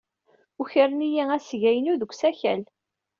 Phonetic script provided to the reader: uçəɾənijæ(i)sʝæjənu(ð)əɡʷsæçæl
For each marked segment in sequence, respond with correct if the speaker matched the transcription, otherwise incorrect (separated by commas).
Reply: incorrect, correct